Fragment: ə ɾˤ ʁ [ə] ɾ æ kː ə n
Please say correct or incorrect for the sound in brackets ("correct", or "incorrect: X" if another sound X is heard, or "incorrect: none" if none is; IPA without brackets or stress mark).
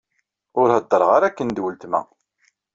incorrect: a